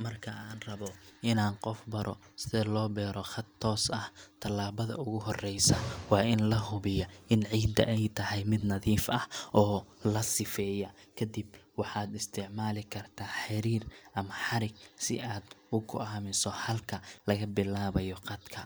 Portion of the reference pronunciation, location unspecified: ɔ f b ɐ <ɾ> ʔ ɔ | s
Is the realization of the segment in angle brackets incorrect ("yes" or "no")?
no